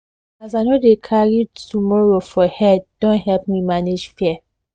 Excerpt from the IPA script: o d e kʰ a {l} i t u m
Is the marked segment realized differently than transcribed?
yes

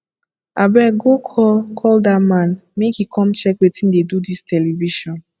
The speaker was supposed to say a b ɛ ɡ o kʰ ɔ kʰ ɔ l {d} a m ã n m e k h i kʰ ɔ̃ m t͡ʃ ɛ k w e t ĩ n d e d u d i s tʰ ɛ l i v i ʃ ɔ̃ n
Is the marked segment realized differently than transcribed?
no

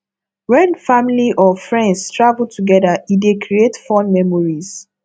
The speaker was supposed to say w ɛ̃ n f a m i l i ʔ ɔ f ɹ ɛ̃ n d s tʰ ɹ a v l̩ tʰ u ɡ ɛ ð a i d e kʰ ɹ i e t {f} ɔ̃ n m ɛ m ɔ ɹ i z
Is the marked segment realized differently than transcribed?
no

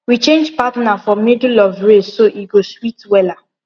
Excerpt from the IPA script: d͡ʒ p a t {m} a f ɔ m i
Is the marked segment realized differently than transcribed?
yes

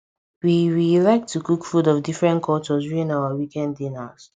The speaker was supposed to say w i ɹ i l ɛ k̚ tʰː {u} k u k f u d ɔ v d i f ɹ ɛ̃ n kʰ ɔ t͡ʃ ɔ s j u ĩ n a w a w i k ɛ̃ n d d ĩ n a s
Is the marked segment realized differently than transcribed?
no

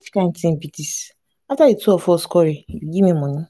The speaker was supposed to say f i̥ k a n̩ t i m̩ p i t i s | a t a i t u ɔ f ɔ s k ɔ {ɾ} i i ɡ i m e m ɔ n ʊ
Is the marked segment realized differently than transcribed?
no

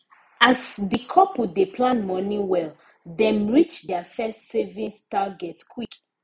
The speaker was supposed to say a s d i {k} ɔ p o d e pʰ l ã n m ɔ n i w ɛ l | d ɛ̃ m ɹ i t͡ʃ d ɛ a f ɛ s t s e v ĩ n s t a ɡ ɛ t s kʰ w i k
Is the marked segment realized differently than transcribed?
yes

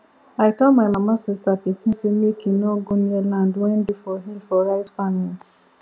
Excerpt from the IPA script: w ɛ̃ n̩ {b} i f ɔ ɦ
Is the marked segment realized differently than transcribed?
yes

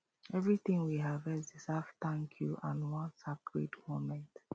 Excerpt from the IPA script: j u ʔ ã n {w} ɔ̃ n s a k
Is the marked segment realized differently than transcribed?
no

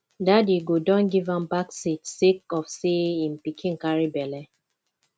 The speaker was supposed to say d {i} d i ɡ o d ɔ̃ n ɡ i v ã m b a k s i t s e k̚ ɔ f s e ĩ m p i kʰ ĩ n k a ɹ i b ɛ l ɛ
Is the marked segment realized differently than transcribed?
yes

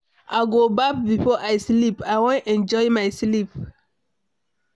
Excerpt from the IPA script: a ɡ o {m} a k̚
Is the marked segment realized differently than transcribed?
yes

